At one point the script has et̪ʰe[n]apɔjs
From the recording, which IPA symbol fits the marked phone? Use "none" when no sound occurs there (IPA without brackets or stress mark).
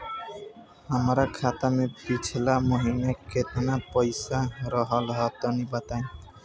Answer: n